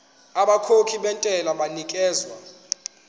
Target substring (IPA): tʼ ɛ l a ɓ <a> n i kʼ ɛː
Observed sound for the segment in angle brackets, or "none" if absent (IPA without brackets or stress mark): a